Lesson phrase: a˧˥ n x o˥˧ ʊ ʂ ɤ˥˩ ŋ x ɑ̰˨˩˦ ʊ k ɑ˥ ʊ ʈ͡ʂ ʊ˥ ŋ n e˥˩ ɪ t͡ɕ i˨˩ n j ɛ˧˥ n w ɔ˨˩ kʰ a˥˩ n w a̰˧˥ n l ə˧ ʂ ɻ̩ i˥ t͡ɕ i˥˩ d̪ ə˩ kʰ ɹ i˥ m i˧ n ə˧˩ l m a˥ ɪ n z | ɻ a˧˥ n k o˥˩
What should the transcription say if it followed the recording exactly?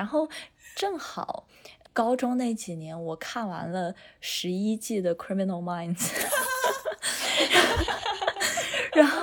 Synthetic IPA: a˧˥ n x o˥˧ ʊ ʈ͡ʂ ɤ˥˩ ŋ x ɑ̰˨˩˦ ʊ k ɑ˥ ʊ ʈ͡ʂ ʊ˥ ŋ n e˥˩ ɪ t͡ɕ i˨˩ n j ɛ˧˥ n w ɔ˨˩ kʰ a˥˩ n w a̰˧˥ n l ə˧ ʂ ɻ̩ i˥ t͡ɕ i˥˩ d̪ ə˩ kʰ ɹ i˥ m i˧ n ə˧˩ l m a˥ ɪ n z | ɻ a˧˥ n x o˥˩